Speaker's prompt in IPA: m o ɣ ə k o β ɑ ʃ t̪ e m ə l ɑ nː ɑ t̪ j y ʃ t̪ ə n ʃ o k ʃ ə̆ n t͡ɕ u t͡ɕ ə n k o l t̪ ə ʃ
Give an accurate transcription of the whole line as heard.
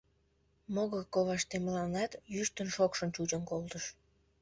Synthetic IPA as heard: m o ɣ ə k o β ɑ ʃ t̪ e m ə l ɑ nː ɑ t̪ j y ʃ t̪ ə n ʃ o k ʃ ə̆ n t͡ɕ u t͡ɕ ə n k o l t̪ ə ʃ